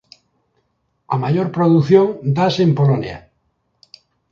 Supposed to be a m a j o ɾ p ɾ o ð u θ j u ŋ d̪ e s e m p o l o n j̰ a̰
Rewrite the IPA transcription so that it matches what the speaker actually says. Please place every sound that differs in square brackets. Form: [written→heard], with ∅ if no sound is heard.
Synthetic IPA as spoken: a m a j o ɾ p ɾ o ð u θ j [u→o] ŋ d̪ [e→a] s e m p o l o n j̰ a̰